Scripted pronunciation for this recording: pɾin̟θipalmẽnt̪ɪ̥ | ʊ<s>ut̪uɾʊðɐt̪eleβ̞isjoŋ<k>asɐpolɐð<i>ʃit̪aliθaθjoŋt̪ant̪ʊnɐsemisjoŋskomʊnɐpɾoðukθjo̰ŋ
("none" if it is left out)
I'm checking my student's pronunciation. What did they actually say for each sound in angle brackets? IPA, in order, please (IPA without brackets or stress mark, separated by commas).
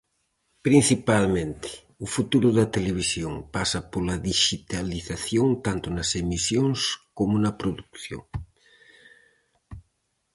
f, p, i